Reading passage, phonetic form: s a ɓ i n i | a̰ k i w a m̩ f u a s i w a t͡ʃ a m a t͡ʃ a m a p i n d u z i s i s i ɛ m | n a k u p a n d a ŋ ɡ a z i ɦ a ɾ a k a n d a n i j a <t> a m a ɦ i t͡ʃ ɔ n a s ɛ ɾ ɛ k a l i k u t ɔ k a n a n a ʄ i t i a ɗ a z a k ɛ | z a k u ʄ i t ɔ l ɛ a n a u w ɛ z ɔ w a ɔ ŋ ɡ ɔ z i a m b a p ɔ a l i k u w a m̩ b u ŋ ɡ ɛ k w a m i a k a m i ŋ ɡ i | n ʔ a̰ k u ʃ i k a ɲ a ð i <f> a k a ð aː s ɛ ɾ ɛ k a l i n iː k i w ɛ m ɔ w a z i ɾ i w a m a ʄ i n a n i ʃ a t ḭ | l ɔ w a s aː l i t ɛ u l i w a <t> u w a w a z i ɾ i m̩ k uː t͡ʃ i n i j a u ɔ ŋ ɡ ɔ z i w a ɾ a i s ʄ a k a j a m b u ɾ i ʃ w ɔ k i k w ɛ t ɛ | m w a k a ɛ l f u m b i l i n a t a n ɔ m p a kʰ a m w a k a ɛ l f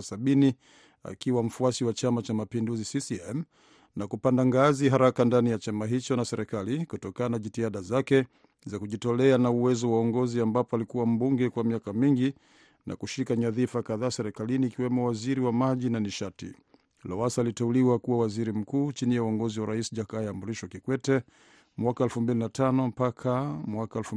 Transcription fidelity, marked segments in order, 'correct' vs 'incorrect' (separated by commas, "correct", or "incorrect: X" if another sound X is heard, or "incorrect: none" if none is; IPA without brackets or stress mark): incorrect: t͡ʃ, correct, incorrect: k